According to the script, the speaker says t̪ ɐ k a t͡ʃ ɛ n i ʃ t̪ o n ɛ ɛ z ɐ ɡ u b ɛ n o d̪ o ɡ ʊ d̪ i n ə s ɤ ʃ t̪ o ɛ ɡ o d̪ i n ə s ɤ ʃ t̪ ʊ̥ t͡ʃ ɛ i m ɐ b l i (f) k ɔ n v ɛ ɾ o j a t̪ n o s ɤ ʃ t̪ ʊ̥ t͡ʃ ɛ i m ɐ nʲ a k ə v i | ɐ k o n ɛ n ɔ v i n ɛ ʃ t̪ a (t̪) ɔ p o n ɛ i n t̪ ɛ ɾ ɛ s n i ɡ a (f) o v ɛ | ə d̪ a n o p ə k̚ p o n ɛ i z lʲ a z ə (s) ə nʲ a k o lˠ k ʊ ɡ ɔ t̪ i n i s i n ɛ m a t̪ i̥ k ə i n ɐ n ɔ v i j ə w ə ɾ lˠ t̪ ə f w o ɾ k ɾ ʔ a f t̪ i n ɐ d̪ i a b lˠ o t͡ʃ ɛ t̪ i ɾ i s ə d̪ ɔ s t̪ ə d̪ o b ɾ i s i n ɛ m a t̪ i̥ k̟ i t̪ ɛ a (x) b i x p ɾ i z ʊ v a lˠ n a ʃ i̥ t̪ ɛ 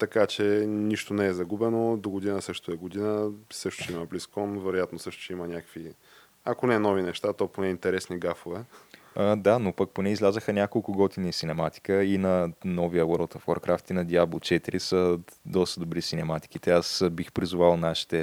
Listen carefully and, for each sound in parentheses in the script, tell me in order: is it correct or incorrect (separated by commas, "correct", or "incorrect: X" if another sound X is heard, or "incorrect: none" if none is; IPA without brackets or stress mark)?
incorrect: s, correct, correct, incorrect: x, incorrect: s